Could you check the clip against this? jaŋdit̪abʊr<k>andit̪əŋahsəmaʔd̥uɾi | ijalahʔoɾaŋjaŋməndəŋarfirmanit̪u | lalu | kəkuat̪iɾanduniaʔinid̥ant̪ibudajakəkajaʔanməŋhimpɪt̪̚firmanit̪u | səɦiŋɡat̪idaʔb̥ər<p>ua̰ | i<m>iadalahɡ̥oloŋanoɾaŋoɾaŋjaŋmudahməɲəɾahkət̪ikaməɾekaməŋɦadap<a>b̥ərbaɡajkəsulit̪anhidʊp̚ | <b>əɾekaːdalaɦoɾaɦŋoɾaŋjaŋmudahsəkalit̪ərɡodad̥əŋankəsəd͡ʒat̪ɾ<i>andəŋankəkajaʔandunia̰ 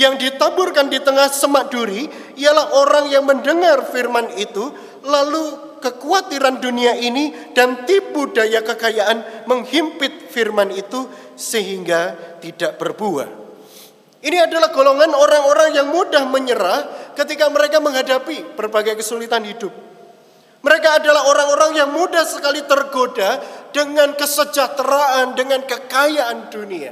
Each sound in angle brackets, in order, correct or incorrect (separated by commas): correct, incorrect, incorrect, incorrect, incorrect, incorrect